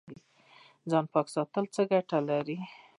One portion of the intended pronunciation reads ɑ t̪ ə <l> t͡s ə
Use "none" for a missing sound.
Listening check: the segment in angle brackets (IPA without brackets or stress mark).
l